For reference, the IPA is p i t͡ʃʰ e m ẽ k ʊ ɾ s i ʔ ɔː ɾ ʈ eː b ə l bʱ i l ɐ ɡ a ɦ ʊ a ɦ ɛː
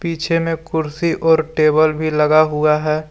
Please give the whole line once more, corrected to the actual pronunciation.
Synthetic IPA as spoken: p iː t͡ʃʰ e m ẽ k ʊ ɾ s i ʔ ɔː ɾ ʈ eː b ə l bʱ i l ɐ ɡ a ɦ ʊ a ɦ ɛː